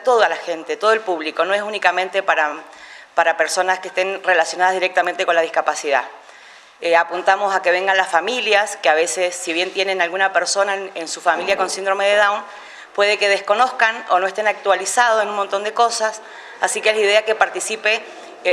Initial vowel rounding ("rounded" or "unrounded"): rounded